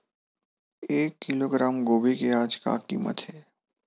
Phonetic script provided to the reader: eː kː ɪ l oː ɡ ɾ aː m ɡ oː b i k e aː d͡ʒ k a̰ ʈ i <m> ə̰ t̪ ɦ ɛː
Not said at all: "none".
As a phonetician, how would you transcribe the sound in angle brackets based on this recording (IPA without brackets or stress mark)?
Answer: m